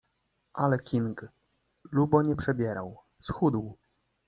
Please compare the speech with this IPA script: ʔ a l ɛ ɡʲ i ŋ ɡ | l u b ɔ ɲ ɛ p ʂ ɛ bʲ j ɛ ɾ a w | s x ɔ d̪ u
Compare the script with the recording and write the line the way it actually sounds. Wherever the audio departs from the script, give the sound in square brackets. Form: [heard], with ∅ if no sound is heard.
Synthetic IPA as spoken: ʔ a l ɛ [kʲ] i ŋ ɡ | l u b ɔ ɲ ɛ p ʂ ɛ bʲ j ɛ ɾ a w | s x [u] d̪ [w]